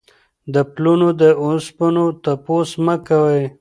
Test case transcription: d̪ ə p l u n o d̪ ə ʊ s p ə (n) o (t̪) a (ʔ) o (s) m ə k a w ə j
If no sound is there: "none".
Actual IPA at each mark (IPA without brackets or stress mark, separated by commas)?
n, t̪, p, s